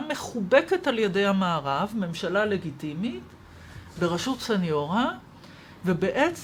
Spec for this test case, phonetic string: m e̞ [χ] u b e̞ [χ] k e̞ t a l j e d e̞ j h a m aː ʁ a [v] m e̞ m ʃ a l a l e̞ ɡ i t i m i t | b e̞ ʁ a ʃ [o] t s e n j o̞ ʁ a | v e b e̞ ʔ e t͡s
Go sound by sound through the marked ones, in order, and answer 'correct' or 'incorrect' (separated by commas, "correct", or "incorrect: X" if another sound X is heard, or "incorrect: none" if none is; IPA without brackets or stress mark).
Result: correct, incorrect: none, correct, incorrect: u